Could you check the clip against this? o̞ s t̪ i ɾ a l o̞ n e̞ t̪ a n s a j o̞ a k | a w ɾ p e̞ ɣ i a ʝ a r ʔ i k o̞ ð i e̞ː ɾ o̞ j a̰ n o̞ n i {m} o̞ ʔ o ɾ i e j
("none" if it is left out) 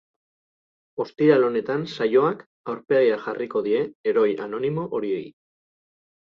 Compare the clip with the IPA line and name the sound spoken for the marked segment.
m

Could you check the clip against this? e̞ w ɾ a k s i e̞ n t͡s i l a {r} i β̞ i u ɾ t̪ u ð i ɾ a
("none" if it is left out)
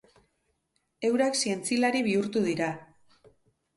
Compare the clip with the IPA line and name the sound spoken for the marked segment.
ɾ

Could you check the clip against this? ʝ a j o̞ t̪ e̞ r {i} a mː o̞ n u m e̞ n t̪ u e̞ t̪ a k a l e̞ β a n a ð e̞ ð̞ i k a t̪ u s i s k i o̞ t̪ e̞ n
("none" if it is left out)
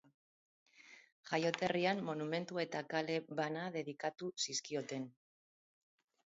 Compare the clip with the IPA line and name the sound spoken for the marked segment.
i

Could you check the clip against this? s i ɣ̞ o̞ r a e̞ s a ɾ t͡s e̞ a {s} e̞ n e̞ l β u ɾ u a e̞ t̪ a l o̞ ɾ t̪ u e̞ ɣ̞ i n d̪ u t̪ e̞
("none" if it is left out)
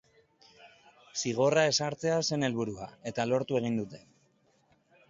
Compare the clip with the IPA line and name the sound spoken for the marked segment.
s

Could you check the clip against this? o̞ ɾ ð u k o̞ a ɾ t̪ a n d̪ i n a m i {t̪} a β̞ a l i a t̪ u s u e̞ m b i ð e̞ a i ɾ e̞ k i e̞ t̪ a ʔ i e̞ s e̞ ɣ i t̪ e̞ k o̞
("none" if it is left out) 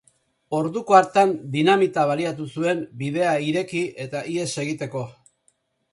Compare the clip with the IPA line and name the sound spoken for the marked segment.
t̪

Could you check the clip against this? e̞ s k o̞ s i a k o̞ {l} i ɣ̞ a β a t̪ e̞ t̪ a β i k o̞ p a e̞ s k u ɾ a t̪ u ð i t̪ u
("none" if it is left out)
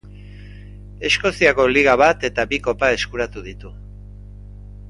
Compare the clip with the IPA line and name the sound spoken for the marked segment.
l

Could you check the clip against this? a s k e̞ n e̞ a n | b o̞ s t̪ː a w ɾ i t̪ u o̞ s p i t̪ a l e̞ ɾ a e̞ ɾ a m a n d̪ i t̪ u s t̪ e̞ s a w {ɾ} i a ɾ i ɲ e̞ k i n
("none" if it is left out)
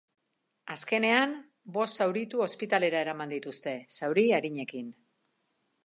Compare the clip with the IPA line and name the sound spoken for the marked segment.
ɾ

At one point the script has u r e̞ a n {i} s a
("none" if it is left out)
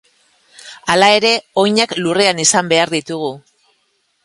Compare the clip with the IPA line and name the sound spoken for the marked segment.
i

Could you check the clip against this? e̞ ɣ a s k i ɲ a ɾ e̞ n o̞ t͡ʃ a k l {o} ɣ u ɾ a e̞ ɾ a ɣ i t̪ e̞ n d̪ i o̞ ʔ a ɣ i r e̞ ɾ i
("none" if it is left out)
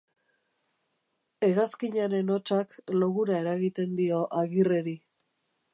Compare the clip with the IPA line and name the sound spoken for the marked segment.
o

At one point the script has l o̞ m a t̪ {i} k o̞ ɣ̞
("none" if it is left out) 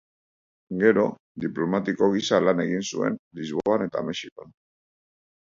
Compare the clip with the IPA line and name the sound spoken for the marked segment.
i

